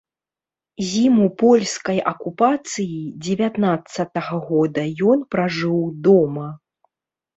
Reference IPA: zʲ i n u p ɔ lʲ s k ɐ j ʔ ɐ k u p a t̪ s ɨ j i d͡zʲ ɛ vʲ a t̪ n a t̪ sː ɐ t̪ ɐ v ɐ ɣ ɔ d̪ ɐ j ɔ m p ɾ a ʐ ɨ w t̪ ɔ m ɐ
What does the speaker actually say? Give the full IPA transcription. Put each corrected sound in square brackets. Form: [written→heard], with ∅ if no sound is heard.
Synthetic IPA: zʲ i [n→m] u p ɔ lʲ s k ɐ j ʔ ɐ k u p a t̪ s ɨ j i d͡zʲ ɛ vʲ a t̪ n a t̪ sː ɐ t̪ ɐ [v→ɣ] ɐ ɣ ɔ d̪ ɐ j ɔ [m→n] p ɾ a ʐ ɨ w [t̪→d̪] ɔ m ɐ